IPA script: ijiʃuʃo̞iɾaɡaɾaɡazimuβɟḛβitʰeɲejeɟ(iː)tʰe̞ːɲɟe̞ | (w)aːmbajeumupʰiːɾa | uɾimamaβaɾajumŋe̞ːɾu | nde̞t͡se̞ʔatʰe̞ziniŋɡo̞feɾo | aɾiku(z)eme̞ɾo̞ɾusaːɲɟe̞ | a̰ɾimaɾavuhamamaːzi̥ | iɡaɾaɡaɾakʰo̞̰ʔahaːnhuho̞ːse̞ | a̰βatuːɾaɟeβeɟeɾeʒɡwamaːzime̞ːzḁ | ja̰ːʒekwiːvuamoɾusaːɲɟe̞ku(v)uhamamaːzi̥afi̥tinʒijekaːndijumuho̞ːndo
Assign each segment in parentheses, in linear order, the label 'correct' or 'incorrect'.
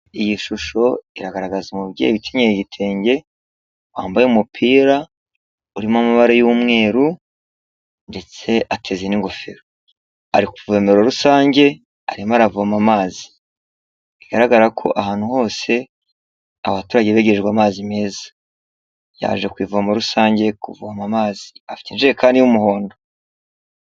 incorrect: i, correct, incorrect: v, correct

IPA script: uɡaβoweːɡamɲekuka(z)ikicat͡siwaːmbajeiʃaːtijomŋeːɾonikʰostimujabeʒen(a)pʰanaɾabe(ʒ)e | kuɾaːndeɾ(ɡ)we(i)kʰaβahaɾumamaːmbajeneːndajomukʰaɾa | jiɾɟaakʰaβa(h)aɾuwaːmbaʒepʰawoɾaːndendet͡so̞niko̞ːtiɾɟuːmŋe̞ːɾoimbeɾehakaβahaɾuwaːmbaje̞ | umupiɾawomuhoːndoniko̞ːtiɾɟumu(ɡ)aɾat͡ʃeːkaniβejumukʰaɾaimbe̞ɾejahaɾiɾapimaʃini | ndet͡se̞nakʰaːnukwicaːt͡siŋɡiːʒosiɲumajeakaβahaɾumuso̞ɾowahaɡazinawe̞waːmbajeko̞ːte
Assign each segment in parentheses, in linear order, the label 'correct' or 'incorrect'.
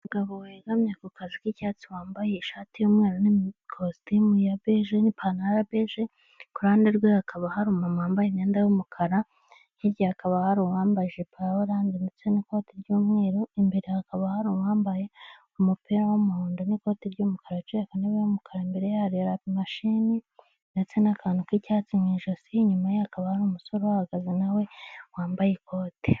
correct, incorrect: i, correct, correct, incorrect: a, correct, incorrect: k

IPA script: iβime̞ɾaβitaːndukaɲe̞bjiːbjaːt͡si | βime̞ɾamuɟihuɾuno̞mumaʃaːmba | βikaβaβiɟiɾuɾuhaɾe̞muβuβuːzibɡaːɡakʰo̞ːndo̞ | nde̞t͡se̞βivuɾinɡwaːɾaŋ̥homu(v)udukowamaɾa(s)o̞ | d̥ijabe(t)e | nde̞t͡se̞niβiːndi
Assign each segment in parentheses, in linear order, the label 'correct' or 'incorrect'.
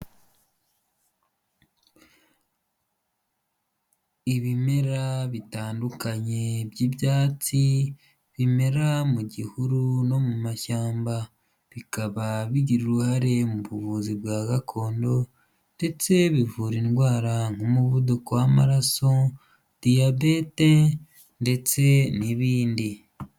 incorrect: β, correct, correct

